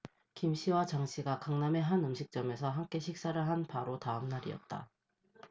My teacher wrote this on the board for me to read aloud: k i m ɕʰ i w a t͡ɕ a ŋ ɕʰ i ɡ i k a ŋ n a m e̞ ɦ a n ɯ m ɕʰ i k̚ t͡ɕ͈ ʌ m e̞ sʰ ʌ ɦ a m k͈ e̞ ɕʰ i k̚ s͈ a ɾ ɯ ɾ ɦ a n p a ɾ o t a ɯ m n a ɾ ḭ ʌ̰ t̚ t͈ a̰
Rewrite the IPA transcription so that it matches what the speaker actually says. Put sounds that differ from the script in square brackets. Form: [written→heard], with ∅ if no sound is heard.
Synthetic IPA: k i m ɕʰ i w a t͡ɕ a ŋ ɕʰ i ɡ [i→a] k a ŋ n a m e̞ ɦ a n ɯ m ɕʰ i k̚ t͡ɕ͈ ʌ m e̞ sʰ ʌ ɦ a m k͈ e̞ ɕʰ i k̚ s͈ a ɾ ɯ [ɾ→ɭ] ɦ a n p a ɾ o t a ɯ m n a ɾ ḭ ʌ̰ t̚ t͈ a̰